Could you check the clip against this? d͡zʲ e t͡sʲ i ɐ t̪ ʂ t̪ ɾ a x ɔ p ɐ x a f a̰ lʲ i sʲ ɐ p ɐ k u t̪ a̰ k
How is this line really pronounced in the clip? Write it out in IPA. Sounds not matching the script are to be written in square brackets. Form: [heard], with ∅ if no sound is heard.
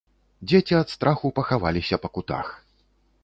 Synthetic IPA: d͡zʲ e t͡sʲ i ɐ t̪ [s] t̪ ɾ a x [u] p ɐ x a [v] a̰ lʲ i sʲ ɐ p ɐ k u t̪ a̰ [x]